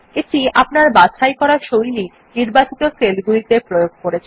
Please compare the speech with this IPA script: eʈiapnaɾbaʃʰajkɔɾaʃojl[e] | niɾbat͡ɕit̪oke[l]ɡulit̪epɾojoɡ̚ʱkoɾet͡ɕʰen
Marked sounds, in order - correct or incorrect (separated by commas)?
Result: incorrect, correct